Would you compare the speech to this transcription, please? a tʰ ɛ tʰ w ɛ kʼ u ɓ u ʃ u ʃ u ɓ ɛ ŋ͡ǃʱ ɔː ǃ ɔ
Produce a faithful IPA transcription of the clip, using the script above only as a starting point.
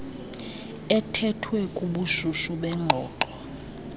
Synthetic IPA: ɛ tʰ ɛ tʰ w ɛ kʼ u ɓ u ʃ u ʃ u ɓ ɛ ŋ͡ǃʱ ɔː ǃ ɔ